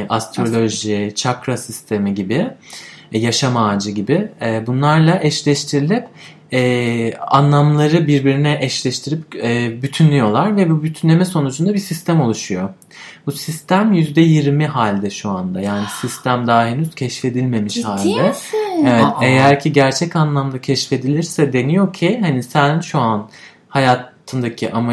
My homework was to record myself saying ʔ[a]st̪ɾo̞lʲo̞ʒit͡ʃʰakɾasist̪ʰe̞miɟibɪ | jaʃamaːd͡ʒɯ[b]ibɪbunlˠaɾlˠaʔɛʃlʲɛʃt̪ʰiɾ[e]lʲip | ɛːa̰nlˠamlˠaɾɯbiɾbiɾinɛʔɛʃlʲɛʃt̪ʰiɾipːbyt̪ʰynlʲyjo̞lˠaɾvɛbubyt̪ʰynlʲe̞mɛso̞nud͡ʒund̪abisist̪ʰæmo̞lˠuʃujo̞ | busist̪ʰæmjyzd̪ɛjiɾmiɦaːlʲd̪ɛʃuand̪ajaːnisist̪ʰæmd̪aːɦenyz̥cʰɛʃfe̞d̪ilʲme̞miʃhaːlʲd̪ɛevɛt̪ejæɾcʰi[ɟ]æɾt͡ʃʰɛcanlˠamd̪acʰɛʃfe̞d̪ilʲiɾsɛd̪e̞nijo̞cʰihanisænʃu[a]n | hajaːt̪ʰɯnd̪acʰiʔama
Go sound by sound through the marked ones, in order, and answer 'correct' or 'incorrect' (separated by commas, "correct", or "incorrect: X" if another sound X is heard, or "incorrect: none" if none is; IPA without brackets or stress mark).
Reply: correct, incorrect: ɟ, incorrect: i, correct, correct